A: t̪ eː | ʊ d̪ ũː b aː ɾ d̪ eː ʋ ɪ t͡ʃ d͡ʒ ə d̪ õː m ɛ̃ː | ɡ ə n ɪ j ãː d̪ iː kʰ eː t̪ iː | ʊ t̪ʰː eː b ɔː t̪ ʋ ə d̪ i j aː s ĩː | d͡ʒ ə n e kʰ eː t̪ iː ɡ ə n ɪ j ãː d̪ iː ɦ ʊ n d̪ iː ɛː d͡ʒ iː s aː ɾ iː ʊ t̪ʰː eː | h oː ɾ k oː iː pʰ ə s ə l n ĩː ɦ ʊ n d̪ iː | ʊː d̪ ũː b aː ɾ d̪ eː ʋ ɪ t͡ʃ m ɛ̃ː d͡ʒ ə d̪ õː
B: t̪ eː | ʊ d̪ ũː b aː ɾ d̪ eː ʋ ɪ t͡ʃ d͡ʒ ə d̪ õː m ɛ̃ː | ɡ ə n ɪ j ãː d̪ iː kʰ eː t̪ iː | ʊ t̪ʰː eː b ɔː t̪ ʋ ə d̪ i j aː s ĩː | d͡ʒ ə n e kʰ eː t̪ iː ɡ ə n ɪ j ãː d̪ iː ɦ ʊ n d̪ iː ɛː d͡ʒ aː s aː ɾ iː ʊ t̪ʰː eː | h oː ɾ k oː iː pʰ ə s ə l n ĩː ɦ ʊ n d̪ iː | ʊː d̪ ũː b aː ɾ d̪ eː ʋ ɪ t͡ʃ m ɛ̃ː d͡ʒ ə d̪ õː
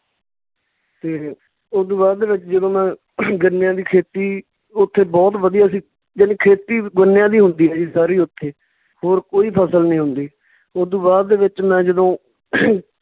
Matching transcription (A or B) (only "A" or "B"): A